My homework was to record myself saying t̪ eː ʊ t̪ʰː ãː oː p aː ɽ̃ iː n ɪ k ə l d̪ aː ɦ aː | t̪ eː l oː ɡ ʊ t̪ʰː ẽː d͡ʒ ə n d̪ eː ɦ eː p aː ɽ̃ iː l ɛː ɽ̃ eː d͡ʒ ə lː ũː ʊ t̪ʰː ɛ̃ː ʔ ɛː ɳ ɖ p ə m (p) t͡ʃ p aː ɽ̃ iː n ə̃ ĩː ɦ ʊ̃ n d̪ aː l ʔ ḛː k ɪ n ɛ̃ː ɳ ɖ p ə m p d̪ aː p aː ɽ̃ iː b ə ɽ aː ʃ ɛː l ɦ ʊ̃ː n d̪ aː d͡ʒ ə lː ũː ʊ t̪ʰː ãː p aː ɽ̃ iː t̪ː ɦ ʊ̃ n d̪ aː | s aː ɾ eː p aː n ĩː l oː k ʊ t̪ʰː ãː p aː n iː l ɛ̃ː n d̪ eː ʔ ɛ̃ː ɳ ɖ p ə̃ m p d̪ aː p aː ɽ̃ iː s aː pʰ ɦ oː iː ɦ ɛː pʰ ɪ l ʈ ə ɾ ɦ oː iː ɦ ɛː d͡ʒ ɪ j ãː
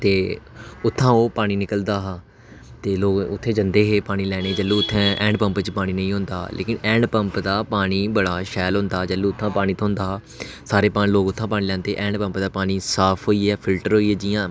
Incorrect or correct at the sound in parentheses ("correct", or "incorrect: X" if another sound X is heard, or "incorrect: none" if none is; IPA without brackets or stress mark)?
correct